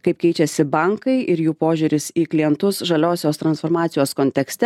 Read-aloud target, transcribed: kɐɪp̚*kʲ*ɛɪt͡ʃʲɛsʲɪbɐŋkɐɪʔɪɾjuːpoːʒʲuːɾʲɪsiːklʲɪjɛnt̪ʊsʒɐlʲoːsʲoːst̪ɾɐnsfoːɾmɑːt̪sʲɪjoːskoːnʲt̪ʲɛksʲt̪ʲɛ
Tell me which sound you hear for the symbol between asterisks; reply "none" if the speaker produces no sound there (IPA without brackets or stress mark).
kʲ